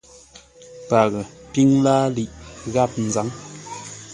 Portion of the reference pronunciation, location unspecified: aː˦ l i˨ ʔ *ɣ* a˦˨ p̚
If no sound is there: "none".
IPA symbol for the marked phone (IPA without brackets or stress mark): ɣ